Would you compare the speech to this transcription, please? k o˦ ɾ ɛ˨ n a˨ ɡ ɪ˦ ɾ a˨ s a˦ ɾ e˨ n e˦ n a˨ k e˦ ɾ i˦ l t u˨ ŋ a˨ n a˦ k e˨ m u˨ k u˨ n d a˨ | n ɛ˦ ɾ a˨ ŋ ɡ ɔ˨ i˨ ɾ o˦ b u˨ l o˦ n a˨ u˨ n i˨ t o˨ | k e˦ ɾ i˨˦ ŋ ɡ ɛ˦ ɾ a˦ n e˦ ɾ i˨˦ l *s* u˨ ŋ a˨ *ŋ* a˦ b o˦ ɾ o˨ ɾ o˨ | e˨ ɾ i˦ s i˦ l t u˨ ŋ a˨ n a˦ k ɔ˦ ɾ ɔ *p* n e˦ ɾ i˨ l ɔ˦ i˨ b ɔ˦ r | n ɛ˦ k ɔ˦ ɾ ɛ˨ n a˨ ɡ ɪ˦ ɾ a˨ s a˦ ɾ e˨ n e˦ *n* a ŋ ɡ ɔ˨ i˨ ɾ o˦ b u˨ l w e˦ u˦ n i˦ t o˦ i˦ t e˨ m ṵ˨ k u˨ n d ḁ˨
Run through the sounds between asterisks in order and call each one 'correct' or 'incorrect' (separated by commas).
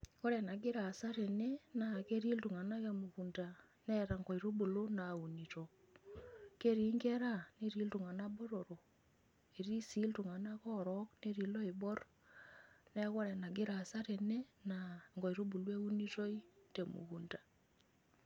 incorrect, incorrect, incorrect, correct